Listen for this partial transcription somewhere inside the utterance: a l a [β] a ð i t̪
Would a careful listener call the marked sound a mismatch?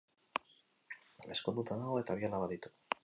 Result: no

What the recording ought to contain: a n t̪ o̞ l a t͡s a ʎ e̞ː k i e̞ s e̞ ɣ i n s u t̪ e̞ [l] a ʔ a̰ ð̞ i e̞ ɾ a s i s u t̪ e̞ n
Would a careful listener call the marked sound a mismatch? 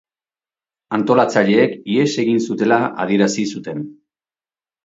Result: no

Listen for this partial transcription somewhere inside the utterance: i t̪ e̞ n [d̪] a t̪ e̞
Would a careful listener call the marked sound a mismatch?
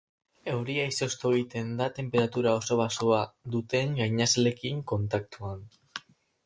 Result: no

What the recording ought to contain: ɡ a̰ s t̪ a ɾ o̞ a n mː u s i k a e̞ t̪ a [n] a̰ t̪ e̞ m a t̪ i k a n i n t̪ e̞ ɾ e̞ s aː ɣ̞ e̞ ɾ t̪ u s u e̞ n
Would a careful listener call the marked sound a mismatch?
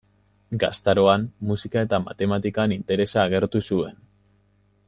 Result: yes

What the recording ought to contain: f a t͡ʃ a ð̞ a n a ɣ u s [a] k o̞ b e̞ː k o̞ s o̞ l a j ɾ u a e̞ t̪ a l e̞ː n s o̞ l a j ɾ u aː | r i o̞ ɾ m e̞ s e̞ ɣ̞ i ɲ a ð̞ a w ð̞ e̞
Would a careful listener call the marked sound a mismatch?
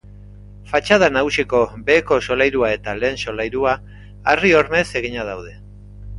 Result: yes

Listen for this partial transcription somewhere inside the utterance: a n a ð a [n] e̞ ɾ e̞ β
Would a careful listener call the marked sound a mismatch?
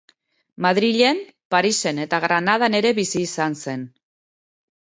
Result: no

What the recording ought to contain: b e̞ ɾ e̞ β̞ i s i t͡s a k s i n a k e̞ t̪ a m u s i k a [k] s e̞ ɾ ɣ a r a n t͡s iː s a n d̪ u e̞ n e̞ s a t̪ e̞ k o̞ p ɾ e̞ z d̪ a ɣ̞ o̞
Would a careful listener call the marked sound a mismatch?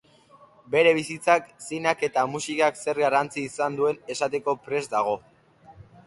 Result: no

